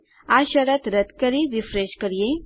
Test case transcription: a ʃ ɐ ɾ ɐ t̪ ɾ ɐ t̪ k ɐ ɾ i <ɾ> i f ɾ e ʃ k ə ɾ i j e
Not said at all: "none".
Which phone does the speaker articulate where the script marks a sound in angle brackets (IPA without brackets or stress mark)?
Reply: ɾ